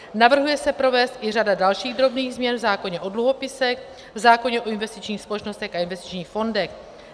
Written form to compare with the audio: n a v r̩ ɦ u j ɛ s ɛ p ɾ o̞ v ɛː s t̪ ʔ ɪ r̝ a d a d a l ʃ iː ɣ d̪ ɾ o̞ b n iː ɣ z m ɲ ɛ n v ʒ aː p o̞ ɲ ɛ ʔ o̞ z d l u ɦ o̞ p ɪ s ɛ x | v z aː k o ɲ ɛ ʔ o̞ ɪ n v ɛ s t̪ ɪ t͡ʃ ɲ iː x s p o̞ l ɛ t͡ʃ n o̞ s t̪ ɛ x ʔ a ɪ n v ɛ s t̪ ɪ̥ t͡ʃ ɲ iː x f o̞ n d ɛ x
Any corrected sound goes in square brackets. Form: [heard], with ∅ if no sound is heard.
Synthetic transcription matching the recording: n a v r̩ ɦ u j ɛ s ɛ p ɾ o̞ v ɛː s t̪ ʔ ɪ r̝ a d a d a l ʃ iː ɣ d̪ ɾ o̞ b n iː ɣ z m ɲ ɛ n v [z] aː [k] o̞ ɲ ɛ ʔ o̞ [∅] d l u ɦ o̞ p ɪ s ɛ x | v z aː k o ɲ ɛ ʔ o̞ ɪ n v ɛ s t̪ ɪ t͡ʃ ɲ iː x s p o̞ l ɛ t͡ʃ n o̞ s t̪ ɛ x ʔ a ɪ n v ɛ s t̪ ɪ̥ t͡ʃ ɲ iː x f o̞ n d ɛ x